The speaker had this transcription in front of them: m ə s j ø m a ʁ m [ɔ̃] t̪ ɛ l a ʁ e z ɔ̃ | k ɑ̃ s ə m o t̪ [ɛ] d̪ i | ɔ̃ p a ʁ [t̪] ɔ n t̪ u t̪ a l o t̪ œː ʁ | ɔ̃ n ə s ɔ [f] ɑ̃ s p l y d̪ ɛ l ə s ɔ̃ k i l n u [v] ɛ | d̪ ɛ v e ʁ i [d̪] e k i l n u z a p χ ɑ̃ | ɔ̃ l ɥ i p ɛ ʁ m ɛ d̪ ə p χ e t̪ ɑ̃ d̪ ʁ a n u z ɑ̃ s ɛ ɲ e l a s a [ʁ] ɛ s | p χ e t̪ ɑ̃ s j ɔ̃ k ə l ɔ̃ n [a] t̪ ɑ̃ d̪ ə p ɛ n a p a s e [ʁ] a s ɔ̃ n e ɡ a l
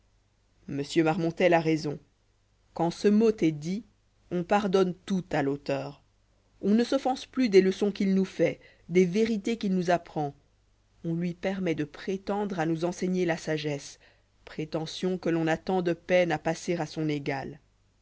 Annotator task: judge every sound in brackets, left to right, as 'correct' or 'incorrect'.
correct, correct, incorrect, correct, incorrect, incorrect, incorrect, correct, correct

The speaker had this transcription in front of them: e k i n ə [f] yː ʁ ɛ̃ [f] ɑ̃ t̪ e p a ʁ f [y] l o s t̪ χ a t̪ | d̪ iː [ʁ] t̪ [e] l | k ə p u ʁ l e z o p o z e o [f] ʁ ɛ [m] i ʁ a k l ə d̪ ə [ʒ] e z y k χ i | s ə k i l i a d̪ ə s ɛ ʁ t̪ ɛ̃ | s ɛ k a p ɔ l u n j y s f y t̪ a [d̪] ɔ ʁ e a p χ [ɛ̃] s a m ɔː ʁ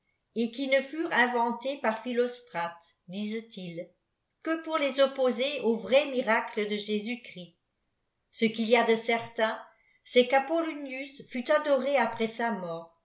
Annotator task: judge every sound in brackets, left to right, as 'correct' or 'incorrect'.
correct, incorrect, incorrect, incorrect, incorrect, incorrect, correct, correct, correct, incorrect

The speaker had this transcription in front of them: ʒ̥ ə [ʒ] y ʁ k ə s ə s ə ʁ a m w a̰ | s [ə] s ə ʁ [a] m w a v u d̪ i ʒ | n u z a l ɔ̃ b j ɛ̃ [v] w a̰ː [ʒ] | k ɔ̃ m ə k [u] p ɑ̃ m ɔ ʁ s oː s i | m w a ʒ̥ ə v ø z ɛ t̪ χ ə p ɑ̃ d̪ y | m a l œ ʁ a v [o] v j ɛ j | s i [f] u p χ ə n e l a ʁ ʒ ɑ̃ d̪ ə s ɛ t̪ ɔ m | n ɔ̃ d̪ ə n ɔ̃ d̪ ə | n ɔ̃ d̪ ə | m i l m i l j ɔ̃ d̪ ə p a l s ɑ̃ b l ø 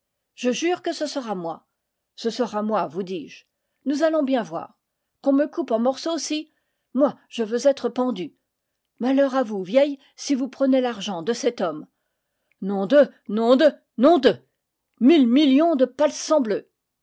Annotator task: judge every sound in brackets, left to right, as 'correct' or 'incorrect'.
correct, correct, correct, correct, incorrect, correct, incorrect, incorrect

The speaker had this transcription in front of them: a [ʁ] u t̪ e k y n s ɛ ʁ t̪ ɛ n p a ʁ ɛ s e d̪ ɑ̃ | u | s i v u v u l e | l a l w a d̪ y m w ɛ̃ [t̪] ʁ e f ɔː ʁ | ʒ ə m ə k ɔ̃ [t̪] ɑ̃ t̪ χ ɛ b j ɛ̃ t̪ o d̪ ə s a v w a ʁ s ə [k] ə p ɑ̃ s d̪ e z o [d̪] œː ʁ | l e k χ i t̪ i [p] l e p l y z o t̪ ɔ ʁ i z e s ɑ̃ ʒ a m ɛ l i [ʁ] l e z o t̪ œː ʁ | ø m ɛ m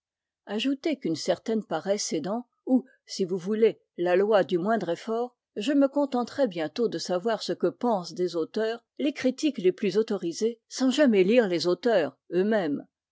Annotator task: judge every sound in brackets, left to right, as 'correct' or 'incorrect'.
incorrect, incorrect, correct, correct, incorrect, incorrect, correct

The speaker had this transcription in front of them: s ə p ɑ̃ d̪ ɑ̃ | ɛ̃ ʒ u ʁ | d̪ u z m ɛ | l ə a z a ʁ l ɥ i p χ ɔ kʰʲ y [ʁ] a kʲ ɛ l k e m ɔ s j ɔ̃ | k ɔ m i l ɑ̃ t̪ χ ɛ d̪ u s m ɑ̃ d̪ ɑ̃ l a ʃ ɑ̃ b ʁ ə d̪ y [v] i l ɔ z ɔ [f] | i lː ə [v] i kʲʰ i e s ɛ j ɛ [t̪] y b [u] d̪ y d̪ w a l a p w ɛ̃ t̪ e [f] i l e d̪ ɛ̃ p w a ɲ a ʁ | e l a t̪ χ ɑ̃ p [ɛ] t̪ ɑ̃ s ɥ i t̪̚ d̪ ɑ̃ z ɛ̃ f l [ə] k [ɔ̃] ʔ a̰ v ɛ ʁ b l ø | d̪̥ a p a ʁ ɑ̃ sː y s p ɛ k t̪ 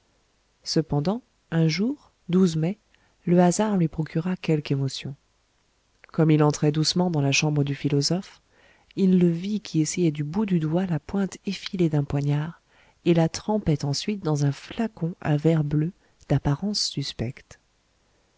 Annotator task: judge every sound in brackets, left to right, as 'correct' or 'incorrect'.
correct, incorrect, correct, correct, incorrect, correct, correct, correct, incorrect, correct

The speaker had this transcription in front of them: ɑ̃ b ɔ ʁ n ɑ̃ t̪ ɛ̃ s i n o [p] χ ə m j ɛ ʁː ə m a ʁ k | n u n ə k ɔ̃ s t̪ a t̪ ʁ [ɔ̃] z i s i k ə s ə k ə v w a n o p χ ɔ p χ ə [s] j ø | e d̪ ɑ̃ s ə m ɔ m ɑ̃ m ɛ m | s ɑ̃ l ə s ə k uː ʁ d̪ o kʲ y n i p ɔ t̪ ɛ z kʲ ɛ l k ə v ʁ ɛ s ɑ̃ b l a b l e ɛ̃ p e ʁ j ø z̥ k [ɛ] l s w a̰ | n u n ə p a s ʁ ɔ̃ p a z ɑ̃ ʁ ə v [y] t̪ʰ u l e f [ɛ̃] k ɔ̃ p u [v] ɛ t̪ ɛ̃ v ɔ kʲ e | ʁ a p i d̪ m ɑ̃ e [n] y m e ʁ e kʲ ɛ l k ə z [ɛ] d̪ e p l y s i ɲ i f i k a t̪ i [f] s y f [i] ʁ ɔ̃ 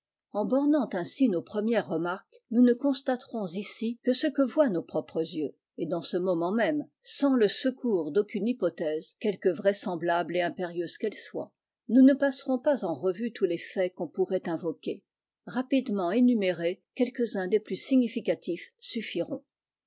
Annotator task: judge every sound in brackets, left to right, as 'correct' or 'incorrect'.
correct, correct, incorrect, correct, correct, incorrect, incorrect, correct, incorrect, correct, correct

